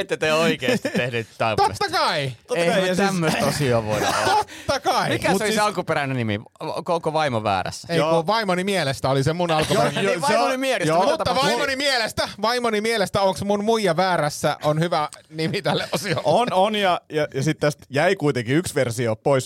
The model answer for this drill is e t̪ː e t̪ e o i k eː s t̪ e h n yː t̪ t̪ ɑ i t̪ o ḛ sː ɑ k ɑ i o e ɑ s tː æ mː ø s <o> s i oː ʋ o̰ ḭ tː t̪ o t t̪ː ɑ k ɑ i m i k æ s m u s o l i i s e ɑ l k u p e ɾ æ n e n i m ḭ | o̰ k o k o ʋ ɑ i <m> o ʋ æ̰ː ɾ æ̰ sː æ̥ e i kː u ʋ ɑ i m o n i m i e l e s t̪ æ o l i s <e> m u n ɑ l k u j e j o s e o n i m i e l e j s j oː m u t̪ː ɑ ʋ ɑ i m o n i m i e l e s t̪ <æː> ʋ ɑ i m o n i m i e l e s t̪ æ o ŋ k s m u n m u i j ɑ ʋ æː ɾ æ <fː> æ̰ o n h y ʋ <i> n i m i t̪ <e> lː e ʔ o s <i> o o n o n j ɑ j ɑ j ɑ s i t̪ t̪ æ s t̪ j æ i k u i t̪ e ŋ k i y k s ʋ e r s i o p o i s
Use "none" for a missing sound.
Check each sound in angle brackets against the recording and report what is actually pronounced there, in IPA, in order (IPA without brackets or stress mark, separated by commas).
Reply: o, m, e, æ, sː, æ, æ, i